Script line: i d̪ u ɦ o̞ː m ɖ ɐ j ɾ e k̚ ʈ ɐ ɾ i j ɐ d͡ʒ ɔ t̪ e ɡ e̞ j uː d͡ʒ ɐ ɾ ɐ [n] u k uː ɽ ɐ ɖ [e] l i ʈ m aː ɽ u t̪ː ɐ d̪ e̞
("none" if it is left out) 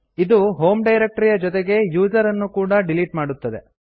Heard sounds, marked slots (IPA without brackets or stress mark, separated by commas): nː, i